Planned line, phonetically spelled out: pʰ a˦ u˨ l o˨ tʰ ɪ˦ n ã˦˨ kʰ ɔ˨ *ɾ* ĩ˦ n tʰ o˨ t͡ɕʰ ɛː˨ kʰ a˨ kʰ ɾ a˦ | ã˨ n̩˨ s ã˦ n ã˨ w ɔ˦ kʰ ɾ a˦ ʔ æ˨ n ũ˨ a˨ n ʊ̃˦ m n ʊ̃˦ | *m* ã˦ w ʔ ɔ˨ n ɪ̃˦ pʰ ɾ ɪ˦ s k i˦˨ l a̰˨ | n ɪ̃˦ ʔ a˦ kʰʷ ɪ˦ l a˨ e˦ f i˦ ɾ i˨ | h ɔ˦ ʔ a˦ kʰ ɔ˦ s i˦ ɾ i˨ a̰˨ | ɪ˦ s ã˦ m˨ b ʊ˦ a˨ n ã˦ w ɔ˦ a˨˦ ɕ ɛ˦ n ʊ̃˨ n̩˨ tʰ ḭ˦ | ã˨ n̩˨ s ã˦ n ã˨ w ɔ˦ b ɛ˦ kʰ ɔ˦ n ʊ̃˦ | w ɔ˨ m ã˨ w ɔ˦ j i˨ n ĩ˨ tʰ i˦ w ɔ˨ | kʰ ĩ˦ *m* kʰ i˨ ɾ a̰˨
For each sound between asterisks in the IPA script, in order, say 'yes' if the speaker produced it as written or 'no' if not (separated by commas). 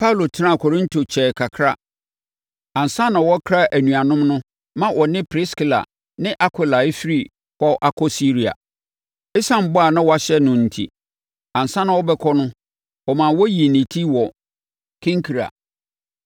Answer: yes, yes, no